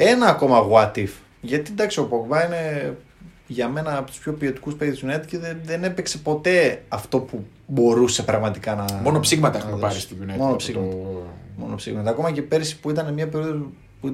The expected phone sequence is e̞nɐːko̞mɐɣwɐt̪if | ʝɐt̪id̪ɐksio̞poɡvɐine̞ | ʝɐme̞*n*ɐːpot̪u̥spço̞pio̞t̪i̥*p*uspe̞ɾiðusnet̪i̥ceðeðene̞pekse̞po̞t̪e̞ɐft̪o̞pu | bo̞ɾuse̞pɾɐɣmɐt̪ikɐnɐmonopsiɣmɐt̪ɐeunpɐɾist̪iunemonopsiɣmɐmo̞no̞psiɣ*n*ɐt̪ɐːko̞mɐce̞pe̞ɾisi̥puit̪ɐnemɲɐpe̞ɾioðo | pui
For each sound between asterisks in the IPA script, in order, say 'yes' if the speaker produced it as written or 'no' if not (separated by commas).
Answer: yes, no, no